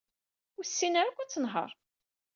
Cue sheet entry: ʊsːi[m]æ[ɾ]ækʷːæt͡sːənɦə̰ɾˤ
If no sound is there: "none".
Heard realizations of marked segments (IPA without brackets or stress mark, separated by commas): n, ɾ